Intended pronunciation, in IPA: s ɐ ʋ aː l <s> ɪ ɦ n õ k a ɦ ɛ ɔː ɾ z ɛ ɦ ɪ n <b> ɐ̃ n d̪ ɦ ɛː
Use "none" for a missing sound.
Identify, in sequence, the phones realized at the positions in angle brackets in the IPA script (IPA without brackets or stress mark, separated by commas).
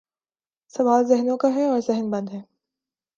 z, b